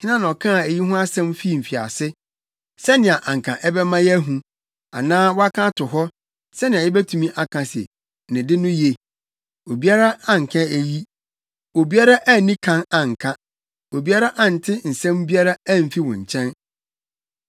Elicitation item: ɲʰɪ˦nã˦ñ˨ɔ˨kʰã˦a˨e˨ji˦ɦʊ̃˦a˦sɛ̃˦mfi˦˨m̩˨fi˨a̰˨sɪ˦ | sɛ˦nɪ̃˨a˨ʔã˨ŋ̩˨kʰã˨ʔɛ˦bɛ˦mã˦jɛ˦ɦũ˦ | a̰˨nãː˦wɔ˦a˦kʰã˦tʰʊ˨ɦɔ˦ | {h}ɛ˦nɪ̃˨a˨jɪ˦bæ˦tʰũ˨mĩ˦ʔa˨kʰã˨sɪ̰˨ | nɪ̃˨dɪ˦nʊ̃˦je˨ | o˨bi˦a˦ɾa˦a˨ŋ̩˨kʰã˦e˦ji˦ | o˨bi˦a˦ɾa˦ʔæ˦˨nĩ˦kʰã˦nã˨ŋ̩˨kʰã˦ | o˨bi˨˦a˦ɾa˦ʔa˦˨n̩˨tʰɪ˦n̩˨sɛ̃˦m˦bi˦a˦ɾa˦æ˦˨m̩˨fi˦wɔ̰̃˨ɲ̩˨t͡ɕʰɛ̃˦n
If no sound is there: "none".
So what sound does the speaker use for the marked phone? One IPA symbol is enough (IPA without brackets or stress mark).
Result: s